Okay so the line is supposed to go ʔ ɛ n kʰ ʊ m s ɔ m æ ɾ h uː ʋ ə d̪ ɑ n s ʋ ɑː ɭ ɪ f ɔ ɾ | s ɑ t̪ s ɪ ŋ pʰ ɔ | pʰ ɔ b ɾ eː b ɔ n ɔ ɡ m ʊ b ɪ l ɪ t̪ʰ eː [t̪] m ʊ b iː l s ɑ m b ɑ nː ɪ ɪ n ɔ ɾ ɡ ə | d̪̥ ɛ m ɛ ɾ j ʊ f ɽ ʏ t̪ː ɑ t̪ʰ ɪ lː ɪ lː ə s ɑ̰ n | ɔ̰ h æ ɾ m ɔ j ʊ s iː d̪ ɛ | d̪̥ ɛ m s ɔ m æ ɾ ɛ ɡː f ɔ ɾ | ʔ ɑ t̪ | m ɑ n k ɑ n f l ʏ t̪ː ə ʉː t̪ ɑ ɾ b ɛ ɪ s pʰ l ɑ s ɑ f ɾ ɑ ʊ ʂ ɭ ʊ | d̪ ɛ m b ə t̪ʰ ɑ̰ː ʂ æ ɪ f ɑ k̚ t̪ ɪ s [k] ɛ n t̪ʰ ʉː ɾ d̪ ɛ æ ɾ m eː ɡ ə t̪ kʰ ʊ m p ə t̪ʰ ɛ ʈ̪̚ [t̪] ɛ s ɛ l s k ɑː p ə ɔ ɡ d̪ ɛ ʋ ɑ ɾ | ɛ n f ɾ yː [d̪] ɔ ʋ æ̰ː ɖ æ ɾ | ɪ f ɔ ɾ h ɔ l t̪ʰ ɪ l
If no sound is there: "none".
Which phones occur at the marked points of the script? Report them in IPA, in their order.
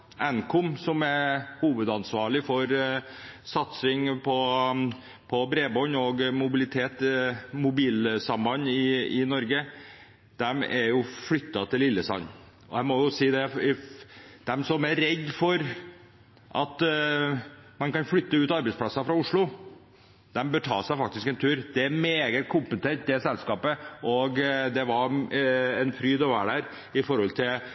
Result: t̪, k, d̪, d̪

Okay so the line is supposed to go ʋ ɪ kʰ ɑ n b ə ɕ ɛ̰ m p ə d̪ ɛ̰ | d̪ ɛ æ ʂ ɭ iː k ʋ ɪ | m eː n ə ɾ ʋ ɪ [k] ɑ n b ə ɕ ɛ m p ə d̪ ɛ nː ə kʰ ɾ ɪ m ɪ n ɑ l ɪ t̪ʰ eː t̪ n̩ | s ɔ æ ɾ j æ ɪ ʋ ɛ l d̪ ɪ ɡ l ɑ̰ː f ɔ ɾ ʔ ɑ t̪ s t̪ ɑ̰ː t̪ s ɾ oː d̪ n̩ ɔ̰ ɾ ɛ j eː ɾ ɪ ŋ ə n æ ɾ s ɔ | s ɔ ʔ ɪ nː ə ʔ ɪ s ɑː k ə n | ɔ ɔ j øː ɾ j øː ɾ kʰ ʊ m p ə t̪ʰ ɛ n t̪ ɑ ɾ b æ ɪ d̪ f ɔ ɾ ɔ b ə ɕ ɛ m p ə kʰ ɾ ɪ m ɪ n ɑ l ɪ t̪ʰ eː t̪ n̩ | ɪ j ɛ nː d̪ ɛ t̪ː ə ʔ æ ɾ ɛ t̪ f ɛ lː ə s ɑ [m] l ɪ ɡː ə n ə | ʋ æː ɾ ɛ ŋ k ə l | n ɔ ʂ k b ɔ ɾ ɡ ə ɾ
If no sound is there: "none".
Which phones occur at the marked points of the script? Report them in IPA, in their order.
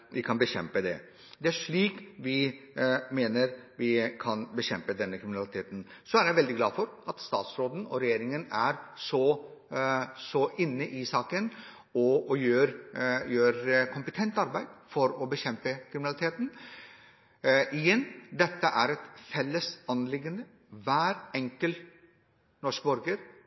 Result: kʰ, n

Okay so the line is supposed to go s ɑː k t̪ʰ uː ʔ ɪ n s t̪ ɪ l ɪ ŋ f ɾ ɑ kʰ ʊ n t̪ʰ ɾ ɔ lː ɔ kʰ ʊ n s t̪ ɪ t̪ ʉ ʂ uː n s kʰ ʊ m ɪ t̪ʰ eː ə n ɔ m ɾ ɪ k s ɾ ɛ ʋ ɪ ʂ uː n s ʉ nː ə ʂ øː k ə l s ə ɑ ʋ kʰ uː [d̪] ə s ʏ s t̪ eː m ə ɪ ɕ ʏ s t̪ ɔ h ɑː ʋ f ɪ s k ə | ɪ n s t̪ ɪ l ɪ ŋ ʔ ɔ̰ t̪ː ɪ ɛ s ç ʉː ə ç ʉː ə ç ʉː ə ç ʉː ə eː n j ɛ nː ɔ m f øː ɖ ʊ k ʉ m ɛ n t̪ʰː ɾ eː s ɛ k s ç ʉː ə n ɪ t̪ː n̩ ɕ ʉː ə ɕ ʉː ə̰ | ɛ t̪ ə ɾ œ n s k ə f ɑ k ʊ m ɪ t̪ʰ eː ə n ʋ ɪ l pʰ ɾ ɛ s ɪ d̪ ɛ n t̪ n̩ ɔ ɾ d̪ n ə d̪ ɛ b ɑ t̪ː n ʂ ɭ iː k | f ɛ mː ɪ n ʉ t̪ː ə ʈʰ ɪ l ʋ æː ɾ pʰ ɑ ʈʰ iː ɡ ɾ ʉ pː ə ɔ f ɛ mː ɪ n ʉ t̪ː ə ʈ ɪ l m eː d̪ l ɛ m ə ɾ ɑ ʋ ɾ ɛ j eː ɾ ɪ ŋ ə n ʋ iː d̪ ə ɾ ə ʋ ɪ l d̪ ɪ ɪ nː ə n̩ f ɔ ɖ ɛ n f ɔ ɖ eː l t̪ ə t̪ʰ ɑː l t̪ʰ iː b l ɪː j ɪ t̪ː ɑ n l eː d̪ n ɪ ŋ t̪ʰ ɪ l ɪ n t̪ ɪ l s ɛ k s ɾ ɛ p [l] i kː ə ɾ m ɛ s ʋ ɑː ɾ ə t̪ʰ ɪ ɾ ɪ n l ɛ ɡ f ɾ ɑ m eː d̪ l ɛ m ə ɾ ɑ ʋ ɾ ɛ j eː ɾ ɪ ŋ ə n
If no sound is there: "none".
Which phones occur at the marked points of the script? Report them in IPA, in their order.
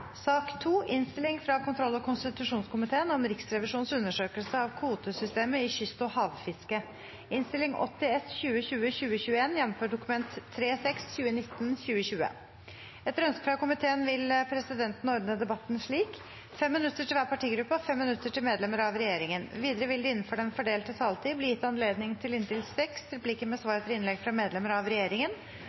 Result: t̪, l

